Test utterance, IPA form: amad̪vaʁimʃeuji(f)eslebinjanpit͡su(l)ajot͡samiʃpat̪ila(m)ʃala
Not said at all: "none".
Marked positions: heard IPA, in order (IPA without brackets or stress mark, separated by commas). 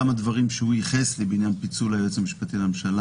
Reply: χ, l, m